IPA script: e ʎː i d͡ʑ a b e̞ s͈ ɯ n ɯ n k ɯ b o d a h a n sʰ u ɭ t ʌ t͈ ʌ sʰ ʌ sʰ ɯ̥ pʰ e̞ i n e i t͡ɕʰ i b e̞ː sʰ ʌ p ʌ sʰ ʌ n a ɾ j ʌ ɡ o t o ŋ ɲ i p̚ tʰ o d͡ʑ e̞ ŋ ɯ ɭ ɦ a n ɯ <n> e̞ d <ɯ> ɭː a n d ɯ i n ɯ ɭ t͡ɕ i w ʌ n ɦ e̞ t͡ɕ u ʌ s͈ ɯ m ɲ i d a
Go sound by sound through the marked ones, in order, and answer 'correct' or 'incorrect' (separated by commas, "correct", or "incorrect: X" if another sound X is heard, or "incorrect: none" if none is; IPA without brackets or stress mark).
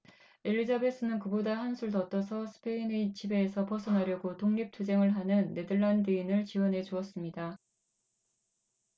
incorrect: nː, correct